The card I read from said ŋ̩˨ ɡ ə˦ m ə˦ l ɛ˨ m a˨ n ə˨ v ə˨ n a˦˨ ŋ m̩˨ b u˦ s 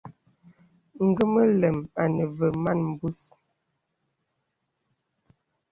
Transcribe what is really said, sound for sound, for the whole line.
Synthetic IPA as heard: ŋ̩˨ ɡ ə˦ m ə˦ l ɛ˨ m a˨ n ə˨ v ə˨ m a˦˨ n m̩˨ b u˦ s